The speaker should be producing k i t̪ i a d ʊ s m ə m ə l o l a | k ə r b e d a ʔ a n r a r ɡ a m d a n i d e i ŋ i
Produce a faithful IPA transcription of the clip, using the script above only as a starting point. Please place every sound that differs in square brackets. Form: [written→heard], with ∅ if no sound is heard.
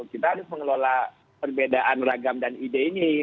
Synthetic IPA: k i t̪ [i→a] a d ʊ s m ə [m→ŋ] ə l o l a | [k→p] ə r b e d a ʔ a n r a [r→∅] ɡ a m d a n i d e i [ŋ→n] i